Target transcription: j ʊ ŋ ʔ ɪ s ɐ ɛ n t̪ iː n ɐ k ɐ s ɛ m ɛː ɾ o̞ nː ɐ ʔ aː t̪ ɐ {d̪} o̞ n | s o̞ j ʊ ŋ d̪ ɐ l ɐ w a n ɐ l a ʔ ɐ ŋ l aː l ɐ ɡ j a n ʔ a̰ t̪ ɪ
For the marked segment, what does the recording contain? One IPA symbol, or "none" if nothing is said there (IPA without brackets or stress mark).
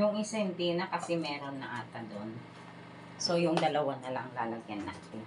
d̪